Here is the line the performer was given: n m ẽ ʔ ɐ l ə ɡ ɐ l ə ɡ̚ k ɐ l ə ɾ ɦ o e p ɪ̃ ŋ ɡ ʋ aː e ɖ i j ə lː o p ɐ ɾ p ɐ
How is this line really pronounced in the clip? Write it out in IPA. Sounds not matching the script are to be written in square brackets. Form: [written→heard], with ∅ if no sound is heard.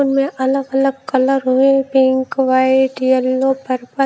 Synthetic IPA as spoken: n m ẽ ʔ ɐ l ə ɡ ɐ l ə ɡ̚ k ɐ l ə ɾ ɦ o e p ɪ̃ ŋ [ɡ→k] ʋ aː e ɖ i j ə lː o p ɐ ɾ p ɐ

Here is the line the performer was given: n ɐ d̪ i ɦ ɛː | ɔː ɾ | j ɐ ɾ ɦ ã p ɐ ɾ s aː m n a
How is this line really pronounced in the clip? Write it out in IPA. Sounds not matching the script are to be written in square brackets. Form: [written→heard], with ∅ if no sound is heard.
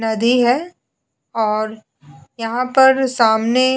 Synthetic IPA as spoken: n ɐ d̪ i ɦ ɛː | ɔː ɾ | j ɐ [ɾ→∅] ɦ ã p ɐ ɾ s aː m n [a→e]

